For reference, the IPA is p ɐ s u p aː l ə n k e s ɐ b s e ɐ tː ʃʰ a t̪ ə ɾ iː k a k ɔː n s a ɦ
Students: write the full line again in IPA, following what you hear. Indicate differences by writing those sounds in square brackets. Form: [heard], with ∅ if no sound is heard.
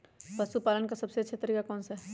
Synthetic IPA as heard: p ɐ s u p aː l ə n k [a] s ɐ b s e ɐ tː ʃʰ a t̪ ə ɾ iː k a k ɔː n s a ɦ